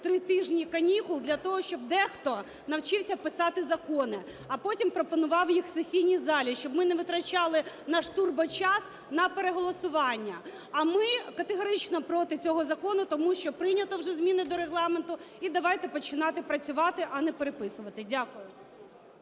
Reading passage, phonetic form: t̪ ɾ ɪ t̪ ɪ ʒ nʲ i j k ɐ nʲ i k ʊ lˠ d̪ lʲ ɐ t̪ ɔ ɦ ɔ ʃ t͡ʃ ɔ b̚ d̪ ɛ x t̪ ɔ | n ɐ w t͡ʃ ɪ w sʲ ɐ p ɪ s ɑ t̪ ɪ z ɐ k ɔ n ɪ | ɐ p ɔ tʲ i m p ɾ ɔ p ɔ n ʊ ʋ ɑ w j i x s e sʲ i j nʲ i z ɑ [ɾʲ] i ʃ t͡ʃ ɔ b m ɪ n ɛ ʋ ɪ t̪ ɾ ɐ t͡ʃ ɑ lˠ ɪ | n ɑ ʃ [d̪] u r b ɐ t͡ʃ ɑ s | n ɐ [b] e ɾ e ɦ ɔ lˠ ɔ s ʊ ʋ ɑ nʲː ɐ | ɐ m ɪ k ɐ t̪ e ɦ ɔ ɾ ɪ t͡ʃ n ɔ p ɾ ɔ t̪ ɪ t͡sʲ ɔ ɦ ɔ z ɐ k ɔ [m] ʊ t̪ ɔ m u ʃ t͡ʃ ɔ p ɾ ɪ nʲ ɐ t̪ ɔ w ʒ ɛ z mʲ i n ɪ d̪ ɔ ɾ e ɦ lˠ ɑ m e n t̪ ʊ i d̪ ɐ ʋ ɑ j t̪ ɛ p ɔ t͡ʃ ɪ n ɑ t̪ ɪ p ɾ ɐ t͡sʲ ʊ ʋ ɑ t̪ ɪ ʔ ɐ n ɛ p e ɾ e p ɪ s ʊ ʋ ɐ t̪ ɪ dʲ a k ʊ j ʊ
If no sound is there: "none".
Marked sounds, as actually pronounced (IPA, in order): lʲ, t̪, p, n

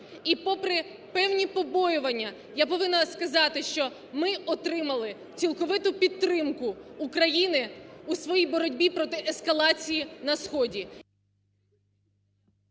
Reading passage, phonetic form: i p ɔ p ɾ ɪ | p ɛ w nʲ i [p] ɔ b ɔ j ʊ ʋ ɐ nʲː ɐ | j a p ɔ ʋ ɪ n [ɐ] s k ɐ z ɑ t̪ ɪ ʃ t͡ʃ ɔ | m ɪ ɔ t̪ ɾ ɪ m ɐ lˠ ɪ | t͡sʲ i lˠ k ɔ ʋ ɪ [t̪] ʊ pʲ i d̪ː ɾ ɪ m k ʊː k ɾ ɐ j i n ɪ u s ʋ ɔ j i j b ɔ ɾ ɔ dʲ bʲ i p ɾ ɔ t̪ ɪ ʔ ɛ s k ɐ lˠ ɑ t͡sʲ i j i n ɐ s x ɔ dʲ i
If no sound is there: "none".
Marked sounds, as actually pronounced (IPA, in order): p, ɐ, t̪

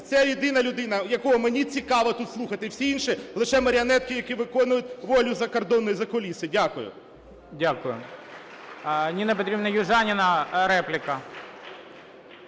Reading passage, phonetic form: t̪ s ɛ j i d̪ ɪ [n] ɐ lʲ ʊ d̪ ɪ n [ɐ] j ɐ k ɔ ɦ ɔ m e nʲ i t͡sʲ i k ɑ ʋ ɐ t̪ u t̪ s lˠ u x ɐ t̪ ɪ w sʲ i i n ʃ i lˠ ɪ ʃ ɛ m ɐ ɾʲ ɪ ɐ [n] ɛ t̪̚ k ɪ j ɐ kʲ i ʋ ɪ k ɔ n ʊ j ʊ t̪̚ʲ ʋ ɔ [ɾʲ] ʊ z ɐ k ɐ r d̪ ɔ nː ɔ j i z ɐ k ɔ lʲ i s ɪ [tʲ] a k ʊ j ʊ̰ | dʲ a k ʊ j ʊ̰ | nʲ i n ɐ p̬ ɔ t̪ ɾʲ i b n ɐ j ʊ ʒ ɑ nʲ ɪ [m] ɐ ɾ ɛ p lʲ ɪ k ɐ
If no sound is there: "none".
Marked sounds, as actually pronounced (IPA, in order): n, ɐ, n, lʲ, dʲ, n

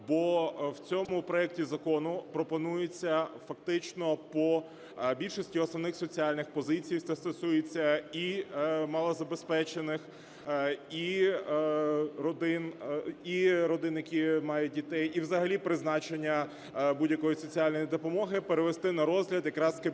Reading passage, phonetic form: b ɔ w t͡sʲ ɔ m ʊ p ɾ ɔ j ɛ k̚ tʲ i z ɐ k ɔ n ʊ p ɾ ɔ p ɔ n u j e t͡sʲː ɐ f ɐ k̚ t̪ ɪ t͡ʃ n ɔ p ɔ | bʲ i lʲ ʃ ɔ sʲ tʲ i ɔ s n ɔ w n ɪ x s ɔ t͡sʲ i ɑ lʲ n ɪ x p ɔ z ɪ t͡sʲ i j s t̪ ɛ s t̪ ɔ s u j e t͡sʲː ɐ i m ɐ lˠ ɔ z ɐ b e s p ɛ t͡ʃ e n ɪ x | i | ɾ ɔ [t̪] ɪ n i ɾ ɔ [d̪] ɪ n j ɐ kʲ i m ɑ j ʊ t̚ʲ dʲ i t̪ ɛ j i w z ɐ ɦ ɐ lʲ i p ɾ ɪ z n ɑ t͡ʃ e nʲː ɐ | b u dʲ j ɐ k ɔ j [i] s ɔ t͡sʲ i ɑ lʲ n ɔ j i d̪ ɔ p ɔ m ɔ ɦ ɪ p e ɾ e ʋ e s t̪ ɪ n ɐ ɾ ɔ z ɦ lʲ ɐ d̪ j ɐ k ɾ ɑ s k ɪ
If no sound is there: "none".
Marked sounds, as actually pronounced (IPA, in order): d̪, d̪, i

